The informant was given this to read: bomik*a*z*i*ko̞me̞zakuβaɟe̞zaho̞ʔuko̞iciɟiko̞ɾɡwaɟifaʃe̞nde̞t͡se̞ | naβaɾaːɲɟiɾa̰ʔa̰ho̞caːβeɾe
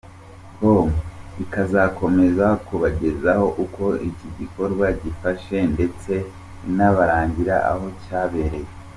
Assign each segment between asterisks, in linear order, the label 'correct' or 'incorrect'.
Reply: correct, incorrect: a

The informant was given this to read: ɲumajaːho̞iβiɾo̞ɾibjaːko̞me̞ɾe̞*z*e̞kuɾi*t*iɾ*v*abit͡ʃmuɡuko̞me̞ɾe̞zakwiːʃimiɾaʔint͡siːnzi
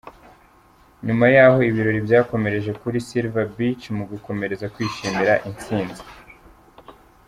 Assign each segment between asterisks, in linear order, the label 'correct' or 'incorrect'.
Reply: incorrect: ʒ, incorrect: s, correct

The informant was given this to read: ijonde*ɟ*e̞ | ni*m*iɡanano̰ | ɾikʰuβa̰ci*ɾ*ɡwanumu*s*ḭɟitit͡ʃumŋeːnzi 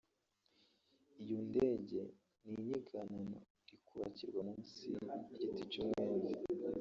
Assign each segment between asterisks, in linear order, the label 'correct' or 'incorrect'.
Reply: correct, incorrect: ɲ, correct, correct

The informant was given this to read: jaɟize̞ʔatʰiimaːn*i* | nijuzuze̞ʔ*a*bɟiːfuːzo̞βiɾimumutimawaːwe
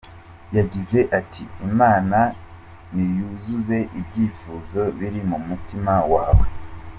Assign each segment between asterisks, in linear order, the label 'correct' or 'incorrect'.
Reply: incorrect: a, incorrect: i

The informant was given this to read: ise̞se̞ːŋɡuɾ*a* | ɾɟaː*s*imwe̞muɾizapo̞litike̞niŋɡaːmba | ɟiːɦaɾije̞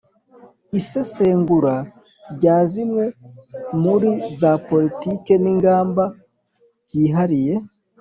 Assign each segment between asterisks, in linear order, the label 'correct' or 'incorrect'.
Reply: correct, incorrect: z

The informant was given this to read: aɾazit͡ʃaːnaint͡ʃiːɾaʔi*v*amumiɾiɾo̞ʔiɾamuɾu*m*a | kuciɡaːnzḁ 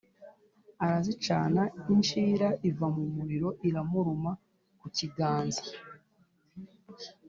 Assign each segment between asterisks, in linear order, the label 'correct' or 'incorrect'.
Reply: correct, correct

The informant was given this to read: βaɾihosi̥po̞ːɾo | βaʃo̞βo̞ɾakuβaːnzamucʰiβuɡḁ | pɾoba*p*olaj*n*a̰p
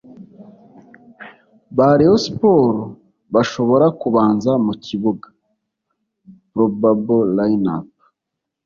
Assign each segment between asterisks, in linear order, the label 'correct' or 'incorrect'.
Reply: incorrect: b, correct

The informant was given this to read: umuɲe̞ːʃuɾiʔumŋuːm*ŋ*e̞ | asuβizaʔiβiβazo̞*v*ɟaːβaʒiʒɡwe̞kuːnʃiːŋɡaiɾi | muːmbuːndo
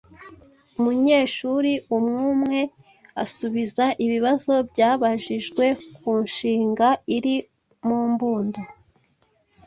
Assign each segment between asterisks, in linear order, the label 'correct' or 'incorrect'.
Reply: correct, incorrect: b

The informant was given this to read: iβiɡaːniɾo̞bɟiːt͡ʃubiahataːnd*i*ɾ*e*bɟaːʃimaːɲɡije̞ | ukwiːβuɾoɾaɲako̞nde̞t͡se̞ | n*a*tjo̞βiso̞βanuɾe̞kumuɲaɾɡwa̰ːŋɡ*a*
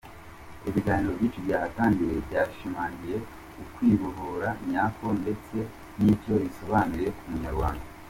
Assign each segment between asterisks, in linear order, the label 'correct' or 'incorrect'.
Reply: correct, correct, incorrect: i, correct

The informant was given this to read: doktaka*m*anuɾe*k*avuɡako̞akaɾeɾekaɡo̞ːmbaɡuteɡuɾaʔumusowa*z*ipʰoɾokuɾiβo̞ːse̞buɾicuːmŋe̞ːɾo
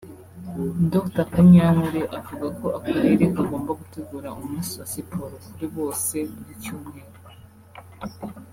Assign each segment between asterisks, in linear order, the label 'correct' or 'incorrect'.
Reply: incorrect: ɲ, incorrect: ʔ, incorrect: s

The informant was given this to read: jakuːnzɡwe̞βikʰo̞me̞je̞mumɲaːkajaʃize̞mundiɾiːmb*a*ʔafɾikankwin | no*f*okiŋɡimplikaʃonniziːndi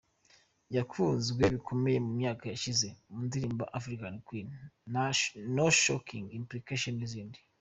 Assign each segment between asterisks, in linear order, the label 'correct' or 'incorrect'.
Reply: correct, incorrect: ʃ

